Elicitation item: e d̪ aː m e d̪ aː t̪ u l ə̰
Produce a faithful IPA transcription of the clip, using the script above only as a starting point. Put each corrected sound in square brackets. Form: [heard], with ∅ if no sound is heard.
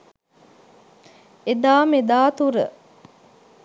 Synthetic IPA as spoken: e d̪ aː m e d̪ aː t̪ u [ɾ] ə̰